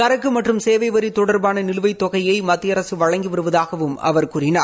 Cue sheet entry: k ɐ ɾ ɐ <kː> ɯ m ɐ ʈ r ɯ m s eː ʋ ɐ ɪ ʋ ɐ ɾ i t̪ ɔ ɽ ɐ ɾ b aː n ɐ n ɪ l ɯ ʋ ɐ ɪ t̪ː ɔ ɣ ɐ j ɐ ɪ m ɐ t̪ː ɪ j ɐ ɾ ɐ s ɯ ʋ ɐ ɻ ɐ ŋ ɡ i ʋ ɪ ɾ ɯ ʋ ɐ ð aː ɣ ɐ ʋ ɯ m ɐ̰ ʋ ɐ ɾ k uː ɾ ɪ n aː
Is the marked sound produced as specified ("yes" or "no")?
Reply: yes